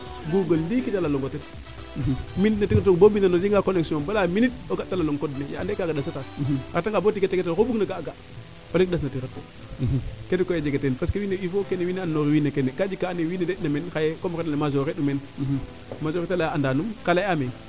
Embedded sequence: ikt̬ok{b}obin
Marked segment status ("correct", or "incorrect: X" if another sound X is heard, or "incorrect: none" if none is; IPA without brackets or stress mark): correct